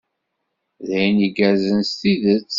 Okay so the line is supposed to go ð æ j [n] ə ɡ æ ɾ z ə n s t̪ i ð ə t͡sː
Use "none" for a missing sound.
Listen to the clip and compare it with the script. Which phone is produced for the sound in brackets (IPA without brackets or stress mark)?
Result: n